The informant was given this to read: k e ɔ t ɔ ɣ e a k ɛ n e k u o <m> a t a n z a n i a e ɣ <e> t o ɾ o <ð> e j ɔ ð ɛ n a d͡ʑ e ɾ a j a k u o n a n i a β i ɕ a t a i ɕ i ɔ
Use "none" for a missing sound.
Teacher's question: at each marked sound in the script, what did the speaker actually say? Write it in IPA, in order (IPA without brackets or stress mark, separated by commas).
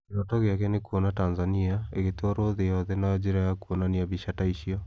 n, e, ð